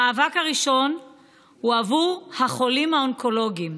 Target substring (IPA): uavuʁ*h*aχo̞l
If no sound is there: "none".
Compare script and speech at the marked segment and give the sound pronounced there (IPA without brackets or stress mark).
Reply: h